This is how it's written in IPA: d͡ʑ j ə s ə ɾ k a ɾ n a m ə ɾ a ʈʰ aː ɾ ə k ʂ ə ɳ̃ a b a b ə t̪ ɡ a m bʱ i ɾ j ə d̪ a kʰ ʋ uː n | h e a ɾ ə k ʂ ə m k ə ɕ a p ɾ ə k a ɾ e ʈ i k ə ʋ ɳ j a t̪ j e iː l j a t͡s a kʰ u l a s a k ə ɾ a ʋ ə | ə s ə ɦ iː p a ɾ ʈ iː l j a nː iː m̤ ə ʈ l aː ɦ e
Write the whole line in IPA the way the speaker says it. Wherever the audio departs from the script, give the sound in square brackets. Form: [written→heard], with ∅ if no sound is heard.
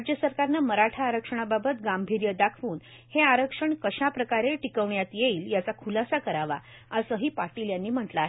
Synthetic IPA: d͡ʑ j ə s ə ɾ k a ɾ n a m ə ɾ a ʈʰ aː ɾ ə k ʂ ə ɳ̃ a b a b ə t̪ ɡ a m bʱ i ɾ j ə d̪ a kʰ ʋ uː n | h e a ɾ ə k ʂ ə [m→ɳ] k ə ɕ a p ɾ ə k a ɾ e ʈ i k ə ʋ ɳ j a t̪ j e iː l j a t͡s a kʰ u l a s a k ə ɾ a ʋ [ə→a] | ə s ə ɦ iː p a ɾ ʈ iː l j a nː iː m̤ ə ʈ l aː ɦ e